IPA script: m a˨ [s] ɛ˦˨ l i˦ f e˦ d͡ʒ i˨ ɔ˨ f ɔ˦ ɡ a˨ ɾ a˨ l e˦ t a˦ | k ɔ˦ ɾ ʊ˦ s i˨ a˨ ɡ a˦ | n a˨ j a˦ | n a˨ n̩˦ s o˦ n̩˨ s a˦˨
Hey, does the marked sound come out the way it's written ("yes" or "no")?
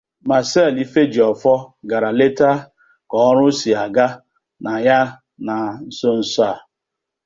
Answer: yes